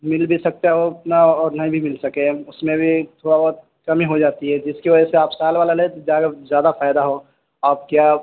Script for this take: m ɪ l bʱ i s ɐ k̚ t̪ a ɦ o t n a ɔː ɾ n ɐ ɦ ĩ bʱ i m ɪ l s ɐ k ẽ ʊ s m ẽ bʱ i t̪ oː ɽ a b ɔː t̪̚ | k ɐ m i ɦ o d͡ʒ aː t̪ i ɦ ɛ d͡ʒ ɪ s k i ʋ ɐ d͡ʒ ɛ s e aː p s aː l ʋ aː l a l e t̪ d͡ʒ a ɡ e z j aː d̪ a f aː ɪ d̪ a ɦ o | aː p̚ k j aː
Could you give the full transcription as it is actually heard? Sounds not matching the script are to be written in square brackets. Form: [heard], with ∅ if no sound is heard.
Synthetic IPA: m ɪ l bʱ i s ɐ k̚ t̪ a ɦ o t n a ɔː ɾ n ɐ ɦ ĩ bʱ i m ɪ l s ɐ k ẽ ʊ s m ẽ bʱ i [t̪ʰ] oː ɽ a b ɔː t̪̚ | k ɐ m i ɦ o d͡ʒ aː t̪ i ɦ ɛ d͡ʒ ɪ s k i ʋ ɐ d͡ʒ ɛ s e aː p s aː l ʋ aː l a l e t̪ d͡ʒ a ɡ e z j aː d̪ a f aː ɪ d̪ a ɦ o | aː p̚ k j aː

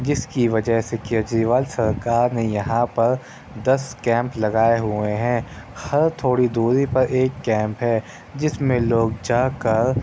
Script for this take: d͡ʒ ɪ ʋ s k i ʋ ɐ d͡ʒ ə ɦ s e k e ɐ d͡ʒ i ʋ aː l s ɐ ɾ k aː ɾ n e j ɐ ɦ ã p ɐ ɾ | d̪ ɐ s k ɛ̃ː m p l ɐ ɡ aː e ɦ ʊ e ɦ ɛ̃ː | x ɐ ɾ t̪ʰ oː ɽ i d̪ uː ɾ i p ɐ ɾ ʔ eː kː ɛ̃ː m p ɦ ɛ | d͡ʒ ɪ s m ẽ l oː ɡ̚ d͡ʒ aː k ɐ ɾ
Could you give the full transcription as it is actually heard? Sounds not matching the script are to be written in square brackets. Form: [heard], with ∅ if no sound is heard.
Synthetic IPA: d͡ʒ ɪ [∅] s k i ʋ ɐ d͡ʒ ə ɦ s e k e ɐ d͡ʒ i ʋ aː l s ɐ ɾ k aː ɾ n e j ɐ ɦ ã p ɐ ɾ | d̪ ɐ s k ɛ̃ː m p l ɐ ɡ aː e ɦ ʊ e ɦ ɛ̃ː | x ɐ ɾ t̪ʰ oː ɽ i d̪ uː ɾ i p ɐ ɾ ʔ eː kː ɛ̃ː m p ɦ ɛ | d͡ʒ ɪ s m ẽ l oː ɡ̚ d͡ʒ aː k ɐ ɾ

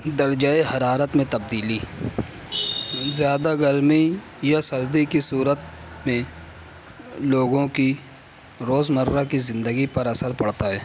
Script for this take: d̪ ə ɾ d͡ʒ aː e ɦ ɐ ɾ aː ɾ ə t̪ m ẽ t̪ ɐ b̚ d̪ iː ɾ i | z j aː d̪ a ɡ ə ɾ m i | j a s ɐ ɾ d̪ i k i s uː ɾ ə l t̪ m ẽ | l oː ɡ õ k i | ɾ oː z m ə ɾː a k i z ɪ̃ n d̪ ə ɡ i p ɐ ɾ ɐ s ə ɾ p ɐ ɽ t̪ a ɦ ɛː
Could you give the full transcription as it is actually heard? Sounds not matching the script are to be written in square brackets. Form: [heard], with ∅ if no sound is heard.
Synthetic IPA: d̪ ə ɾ d͡ʒ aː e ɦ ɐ ɾ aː ɾ ə t̪ m ẽ t̪ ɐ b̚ d̪ iː [l] i | z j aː d̪ a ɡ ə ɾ m i | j a s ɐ ɾ d̪ i k i s uː ɾ ə [∅] t̪ m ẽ | l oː ɡ õ k i | ɾ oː z m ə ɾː a k i z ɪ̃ n d̪ ə ɡ i p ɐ ɾ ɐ s ə ɾ p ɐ ɽ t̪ a ɦ ɛː

